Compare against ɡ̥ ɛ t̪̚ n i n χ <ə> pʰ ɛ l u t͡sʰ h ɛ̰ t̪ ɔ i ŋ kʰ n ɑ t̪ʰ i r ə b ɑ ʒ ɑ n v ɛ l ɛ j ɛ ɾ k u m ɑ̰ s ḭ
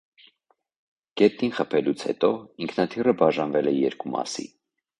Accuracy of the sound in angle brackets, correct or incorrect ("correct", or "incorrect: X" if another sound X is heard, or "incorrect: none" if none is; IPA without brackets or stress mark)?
correct